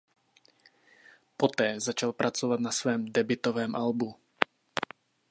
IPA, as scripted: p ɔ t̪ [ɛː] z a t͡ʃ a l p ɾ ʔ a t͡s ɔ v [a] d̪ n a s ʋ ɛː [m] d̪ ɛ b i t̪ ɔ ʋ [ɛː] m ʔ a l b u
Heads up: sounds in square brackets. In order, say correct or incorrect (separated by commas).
correct, correct, correct, correct